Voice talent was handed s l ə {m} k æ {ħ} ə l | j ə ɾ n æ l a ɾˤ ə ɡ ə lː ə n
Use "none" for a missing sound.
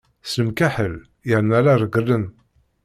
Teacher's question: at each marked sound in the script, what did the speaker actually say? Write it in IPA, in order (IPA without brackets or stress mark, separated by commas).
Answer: m, ħ